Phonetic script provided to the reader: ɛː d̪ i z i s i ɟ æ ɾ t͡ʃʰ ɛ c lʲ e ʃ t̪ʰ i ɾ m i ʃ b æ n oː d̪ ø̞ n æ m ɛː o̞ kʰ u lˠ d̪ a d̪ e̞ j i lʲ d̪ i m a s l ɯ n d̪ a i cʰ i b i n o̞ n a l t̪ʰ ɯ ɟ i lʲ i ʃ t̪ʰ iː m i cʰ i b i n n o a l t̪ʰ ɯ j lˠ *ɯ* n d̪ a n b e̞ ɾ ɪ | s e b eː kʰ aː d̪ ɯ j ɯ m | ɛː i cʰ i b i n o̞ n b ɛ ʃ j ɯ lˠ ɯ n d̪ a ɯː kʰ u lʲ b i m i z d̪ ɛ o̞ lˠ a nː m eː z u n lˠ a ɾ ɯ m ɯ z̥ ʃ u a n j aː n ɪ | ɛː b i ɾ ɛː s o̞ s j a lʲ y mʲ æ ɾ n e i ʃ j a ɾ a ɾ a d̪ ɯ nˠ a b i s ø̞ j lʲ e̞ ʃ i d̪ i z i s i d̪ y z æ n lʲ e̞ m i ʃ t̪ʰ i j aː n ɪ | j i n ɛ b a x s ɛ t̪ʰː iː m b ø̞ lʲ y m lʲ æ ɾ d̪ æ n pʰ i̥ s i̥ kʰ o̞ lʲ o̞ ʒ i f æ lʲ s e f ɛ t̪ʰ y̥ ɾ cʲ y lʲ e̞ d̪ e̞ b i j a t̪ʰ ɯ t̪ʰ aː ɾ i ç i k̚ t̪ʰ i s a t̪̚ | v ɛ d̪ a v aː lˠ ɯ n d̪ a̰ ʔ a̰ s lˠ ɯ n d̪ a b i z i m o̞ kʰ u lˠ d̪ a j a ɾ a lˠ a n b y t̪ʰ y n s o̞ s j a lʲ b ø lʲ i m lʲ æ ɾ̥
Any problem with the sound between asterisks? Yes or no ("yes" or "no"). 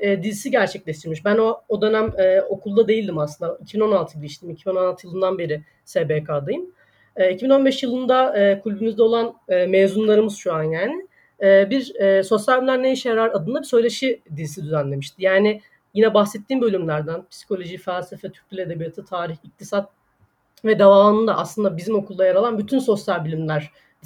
no